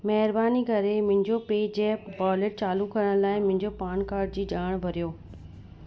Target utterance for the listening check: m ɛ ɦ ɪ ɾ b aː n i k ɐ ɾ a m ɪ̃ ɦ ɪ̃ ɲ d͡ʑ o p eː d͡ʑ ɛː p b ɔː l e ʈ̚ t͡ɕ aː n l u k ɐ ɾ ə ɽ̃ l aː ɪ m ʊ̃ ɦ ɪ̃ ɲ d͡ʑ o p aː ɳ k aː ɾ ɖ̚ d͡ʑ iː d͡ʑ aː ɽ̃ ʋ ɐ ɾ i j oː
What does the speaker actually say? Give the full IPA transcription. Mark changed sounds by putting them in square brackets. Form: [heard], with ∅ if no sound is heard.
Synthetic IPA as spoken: m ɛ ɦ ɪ ɾ b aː n i k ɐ ɾ [e] m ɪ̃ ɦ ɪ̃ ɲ d͡ʑ o p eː d͡ʑ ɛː p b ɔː l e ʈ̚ t͡ɕ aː [∅] l u k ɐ ɾ ə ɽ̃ l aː ɪ m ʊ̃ ɦ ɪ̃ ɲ d͡ʑ o p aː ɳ k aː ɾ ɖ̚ d͡ʑ iː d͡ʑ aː ɽ̃ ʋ ɐ ɾ i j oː